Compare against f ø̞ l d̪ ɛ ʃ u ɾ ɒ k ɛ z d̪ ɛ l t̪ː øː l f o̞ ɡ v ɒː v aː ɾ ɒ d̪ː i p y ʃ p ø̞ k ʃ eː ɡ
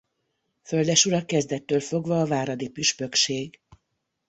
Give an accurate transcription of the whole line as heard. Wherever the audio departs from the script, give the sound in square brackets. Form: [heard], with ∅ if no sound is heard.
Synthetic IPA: f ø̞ l d̪ ɛ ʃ u ɾ ɒ k ɛ z d̪ ɛ [∅] t̪ː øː l f o̞ ɡ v ɒː v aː ɾ ɒ [d̪] i p y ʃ p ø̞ k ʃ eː ɡ